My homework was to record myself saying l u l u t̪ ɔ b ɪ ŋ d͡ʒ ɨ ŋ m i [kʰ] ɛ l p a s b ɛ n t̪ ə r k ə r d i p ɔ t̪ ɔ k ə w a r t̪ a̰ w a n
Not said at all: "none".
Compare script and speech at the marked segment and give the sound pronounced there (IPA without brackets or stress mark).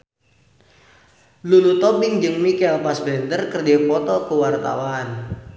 k